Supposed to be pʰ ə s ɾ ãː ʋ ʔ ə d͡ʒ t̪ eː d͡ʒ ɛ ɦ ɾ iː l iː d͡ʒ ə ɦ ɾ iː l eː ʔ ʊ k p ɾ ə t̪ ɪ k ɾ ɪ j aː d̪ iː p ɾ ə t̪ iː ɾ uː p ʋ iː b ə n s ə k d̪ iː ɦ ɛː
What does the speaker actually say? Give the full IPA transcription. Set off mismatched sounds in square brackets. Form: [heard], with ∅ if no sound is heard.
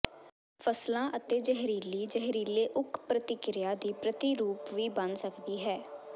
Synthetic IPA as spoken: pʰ ə s [l] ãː [∅] ʔ ə [∅] t̪ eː d͡ʒ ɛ ɦ ɾ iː l iː d͡ʒ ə ɦ ɾ iː l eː ʔ ʊ k p ɾ ə t̪ ɪ k ɾ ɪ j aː d̪ iː p ɾ ə t̪ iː ɾ uː p ʋ iː b ə n s ə k d̪ iː ɦ ɛː